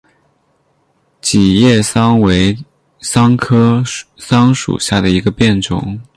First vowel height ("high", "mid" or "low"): high